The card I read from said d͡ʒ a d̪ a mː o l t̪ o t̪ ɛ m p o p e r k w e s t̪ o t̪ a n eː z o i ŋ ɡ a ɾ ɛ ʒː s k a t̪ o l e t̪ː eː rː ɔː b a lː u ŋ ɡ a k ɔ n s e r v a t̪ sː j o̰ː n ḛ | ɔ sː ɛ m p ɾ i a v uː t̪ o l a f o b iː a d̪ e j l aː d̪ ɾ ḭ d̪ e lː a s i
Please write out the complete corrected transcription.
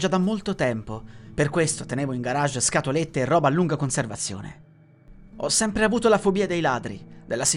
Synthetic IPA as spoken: d͡ʒ a d̪ a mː o l t̪ o t̪ ɛ m p o p e r k w e s t̪ o t̪ e n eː v o i ŋ ɡ a ɾ a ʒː s k a t̪ o l e t̪ː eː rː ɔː b a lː u ŋ ɡ a k o n s e r v a t̪ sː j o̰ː n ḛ | ɔ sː ɛ m p ɾ e a v uː t̪ o l a f o b iː a d̪ e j l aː d̪ ɾ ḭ d̪ e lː a s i